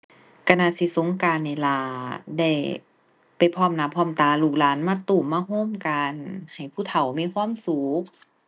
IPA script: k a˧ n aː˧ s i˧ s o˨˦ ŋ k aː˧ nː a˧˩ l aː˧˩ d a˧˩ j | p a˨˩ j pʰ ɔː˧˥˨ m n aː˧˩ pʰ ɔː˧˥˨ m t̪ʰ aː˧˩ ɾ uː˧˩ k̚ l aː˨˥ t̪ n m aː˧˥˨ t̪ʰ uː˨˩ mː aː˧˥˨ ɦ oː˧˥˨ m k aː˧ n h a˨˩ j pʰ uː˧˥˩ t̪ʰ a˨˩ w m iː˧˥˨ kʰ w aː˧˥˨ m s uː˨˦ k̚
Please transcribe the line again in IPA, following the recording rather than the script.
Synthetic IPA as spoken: k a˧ n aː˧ s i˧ s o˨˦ ŋ k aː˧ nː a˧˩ l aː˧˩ d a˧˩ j | p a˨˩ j pʰ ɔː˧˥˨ m n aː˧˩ pʰ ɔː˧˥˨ m t̪ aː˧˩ l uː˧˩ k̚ l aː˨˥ n m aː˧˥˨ t̪ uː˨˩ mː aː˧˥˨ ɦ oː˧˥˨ m k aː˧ n h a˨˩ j pʰ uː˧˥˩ t̪ʰ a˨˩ w m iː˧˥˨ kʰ w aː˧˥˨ m s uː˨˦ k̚

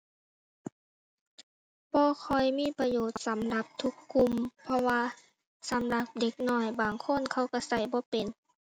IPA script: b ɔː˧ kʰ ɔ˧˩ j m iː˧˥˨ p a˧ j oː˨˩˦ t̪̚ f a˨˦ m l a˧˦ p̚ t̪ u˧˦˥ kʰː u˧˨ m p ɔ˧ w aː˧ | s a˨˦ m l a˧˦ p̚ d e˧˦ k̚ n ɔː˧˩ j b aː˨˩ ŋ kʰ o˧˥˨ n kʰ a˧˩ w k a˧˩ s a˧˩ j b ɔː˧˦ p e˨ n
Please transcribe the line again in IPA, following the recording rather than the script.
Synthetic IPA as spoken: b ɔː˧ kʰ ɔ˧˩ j m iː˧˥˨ p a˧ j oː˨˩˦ t̪̚ s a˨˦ m l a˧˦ p̚ t̪ʰ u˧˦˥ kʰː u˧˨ m pʰ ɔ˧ w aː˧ | s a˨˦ m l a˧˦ p̚ d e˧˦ k̚ n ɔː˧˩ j b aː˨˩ ŋ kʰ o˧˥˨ n kʰ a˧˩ w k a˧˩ s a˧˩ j b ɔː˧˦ p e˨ n

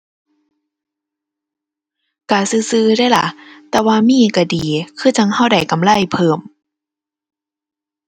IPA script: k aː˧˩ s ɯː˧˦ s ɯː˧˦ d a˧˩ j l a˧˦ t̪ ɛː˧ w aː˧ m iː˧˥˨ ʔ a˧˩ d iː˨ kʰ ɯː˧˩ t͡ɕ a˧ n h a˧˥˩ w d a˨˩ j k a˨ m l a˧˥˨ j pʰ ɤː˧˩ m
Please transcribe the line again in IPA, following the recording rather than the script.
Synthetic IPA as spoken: k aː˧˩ s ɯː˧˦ s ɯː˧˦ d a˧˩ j l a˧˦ t̪ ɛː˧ w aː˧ m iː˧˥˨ k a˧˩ d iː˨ kʰ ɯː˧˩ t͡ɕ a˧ ŋ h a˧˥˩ w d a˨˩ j k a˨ m l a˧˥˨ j pʰ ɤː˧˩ m

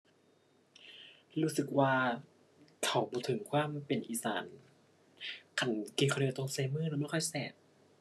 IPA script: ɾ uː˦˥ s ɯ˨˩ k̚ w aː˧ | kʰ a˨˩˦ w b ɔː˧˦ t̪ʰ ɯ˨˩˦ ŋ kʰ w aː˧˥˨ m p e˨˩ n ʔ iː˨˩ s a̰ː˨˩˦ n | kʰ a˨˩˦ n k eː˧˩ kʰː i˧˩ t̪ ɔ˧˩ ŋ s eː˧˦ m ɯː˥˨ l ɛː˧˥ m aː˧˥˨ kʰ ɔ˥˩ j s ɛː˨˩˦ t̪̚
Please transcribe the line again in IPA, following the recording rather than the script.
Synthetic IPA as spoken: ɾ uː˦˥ s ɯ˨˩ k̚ w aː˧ | kʰ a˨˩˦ w b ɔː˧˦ t̪ʰ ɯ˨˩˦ ŋ kʰ w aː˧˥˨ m p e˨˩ n ʔ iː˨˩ s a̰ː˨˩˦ n | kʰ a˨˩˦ n k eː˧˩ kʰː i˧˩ t̪ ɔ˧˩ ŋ s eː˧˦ m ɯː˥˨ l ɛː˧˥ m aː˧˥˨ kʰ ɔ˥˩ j s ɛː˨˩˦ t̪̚

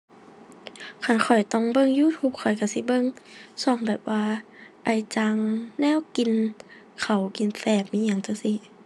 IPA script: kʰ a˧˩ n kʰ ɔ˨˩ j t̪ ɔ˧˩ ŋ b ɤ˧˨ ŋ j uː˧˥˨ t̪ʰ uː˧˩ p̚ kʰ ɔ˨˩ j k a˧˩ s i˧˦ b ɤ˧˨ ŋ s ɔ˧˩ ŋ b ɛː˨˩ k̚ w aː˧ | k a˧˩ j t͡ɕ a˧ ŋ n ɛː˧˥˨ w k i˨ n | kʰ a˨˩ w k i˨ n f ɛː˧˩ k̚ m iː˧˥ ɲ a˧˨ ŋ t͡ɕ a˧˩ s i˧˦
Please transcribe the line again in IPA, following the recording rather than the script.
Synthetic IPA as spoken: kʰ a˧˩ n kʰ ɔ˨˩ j t̪ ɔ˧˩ ŋ b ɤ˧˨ ŋ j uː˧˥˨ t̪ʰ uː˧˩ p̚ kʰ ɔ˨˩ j k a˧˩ s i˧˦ b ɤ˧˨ ŋ s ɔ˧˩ ŋ b ɛː˨˩ p̚ w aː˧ | ʔ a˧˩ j t͡ɕ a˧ ŋ n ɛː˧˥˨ w k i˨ n | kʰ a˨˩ w k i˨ n f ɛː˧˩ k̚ m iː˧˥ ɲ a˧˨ ŋ t͡ɕ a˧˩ s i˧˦

